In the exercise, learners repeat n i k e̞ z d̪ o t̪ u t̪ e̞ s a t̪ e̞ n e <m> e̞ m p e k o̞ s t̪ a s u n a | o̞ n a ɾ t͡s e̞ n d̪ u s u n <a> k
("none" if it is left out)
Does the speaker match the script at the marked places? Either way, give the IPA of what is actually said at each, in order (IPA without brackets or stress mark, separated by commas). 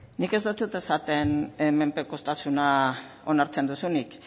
m, i